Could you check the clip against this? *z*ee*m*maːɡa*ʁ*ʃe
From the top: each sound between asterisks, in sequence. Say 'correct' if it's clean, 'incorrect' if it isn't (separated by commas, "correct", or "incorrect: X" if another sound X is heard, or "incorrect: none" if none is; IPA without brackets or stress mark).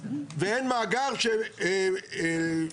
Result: incorrect: v, incorrect: n, correct